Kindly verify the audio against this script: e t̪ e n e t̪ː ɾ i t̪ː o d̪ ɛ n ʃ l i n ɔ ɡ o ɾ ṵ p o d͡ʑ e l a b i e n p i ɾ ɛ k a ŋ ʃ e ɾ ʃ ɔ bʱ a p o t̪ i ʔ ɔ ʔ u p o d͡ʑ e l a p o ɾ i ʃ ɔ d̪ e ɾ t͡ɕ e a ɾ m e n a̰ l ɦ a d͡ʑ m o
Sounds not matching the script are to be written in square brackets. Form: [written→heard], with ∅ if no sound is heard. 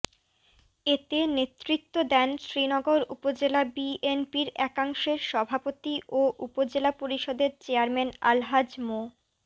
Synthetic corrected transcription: e t̪ e n e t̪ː ɾ i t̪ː o d̪ ɛ n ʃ [l→ɾ] i n ɔ ɡ o ɾ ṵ p o d͡ʑ e l a b i e n p i ɾ ɛ k a ŋ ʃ e ɾ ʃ ɔ bʱ a p o t̪ i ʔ [ɔ→o] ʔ u p o d͡ʑ e l a p o ɾ i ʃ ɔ d̪ e ɾ t͡ɕ e a ɾ m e n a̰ l ɦ a d͡ʑ m o